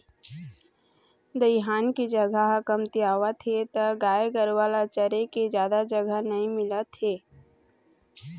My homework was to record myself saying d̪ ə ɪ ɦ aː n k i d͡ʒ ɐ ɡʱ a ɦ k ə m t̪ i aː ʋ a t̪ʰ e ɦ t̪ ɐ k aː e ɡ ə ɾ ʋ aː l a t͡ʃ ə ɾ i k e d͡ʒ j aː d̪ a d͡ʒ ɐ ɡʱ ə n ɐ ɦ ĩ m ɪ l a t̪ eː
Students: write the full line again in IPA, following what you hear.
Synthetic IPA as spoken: d̪ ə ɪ ɦ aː n k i d͡ʒ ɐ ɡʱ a ɦ k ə m t̪ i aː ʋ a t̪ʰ e t̪ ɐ ɡ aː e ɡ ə ɾ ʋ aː l a t͡ʃ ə ɾ e k e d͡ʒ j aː d̪ a d͡ʒ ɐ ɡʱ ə n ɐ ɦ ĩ m ɪ l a t̪ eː